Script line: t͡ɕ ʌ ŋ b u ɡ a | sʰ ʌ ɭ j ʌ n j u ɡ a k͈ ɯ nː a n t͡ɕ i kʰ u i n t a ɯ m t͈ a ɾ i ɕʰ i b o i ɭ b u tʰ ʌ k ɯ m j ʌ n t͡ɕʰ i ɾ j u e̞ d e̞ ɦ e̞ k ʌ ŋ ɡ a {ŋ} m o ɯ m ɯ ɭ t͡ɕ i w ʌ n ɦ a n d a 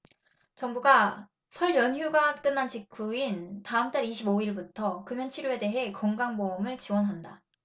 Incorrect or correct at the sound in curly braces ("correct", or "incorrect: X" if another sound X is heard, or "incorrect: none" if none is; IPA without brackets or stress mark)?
correct